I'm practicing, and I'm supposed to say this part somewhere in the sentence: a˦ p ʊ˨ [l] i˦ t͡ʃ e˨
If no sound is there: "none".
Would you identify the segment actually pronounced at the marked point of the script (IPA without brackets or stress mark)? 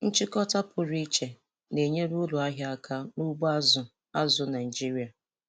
ɾ